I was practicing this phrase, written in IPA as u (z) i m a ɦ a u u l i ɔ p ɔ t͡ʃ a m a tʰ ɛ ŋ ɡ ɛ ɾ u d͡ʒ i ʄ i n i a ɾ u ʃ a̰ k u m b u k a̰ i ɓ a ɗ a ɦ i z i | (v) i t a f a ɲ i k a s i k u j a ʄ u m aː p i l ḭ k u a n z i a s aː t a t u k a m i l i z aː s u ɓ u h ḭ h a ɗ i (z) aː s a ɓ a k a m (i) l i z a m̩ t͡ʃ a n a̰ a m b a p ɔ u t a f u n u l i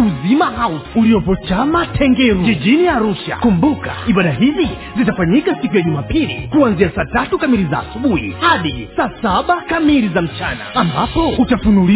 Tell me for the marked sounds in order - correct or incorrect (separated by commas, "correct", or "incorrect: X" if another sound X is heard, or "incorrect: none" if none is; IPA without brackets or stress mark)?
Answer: correct, incorrect: z, incorrect: s, correct